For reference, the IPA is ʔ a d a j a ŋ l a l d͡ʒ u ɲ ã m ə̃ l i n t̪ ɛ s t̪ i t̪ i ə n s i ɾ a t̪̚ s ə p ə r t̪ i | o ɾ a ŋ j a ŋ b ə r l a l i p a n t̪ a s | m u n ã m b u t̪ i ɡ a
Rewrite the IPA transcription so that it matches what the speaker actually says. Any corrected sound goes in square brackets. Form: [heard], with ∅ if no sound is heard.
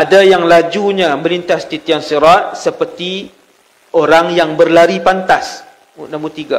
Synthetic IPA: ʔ a d a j a ŋ l a [∅] d͡ʒ u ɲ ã m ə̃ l i n t̪ [a] s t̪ i t̪ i [a] n s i ɾ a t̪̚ s ə p ə r t̪ i | o ɾ a ŋ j a ŋ b ə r l a [ɾ] i p a n t̪ a s | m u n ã m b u t̪ i ɡ a